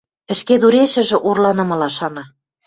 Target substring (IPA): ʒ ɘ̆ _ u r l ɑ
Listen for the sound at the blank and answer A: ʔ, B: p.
A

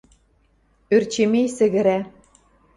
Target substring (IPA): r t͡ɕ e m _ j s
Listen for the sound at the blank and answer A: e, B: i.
A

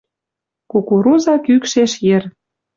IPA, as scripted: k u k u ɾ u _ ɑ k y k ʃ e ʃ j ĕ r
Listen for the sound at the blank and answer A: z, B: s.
A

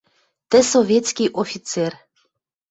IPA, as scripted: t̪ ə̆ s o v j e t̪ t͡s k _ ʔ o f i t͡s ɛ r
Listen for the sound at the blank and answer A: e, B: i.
B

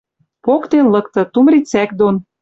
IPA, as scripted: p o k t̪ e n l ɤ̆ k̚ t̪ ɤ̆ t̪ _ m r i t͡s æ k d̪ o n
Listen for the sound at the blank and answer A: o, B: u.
B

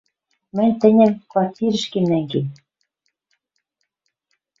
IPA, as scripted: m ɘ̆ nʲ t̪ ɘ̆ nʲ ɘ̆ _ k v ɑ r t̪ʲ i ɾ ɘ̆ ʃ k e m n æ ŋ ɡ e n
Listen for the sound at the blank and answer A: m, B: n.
A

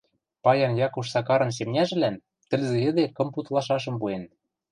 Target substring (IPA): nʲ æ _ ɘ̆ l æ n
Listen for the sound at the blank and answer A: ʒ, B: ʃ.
A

